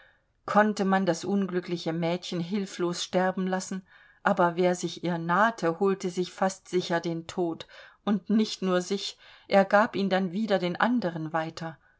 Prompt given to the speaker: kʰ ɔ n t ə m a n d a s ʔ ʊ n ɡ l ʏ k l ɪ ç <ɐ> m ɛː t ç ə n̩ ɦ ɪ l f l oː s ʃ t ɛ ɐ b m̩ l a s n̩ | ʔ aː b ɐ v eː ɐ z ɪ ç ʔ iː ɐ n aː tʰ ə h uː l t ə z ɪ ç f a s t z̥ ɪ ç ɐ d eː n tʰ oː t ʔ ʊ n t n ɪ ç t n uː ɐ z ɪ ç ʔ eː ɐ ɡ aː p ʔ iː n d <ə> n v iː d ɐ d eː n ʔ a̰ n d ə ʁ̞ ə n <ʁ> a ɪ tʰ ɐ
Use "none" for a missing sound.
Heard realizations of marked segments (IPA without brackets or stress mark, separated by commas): ə, a, v